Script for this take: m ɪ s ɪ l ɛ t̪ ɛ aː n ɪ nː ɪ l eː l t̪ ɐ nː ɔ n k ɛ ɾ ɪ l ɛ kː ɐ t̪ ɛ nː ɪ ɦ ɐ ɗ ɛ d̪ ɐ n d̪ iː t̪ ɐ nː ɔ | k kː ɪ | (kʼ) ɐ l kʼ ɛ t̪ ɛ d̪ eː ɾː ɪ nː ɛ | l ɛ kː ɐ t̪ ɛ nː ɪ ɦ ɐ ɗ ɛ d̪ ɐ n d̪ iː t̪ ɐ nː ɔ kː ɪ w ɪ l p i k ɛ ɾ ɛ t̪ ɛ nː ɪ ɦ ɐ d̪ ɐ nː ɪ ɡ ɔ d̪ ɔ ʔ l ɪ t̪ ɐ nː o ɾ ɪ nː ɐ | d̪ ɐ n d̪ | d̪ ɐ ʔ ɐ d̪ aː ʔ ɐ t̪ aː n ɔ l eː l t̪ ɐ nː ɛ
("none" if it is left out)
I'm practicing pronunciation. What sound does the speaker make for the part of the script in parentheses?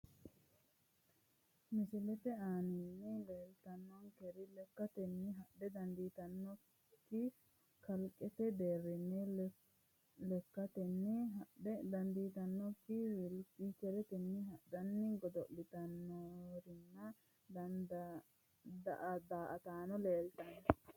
k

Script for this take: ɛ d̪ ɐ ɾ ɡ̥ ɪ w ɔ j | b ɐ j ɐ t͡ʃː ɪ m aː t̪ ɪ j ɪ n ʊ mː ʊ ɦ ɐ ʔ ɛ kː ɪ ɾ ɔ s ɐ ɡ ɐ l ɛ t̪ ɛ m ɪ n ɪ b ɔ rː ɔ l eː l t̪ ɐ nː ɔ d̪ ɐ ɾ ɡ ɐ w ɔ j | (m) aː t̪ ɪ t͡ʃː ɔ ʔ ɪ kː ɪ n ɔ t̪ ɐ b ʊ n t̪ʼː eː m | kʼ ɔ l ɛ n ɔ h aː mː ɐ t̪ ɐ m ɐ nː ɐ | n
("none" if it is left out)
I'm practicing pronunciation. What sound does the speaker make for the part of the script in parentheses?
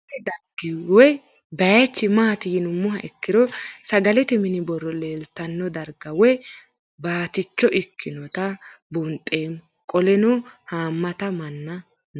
b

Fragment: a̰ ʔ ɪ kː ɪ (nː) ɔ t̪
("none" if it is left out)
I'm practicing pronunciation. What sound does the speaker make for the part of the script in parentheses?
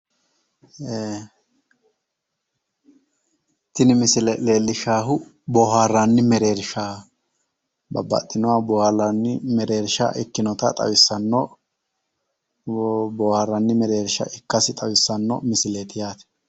n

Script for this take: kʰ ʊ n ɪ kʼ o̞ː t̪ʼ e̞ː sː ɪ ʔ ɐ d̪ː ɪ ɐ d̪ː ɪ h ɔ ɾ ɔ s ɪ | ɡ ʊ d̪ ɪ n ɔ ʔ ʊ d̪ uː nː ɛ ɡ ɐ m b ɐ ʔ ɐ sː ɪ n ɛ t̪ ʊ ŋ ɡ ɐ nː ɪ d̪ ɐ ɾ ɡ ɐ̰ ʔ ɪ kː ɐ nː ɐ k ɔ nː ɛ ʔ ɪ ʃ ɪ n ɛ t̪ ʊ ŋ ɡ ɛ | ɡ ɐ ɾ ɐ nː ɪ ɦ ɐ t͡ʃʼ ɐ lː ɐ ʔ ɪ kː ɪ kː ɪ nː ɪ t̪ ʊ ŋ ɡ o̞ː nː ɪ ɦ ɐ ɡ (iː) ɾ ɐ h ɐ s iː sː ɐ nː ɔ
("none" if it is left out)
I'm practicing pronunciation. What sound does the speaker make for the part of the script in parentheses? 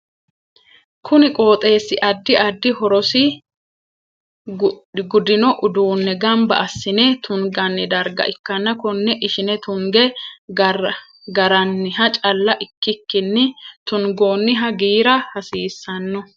iː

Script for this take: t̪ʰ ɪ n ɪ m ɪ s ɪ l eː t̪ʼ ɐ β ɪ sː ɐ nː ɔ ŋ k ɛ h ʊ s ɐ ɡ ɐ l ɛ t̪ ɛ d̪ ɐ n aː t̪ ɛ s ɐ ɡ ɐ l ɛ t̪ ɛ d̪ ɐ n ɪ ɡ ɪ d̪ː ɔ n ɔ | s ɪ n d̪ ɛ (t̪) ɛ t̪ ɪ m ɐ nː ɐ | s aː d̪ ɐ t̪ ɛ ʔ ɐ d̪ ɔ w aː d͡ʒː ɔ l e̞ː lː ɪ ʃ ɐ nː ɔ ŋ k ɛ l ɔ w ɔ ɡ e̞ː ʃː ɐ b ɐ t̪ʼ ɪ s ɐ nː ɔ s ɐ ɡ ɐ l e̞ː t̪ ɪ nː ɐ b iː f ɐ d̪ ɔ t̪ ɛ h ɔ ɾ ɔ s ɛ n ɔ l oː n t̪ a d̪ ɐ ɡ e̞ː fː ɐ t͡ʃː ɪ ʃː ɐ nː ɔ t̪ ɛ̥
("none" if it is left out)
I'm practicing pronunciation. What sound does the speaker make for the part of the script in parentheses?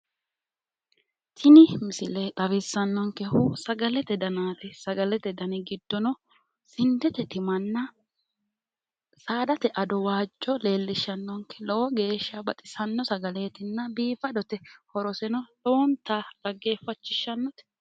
t̪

